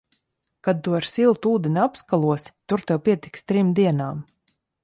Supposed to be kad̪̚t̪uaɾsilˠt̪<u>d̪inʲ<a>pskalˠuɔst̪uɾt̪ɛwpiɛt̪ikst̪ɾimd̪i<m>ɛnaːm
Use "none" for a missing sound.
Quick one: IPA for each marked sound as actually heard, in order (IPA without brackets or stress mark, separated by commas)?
uː, a, none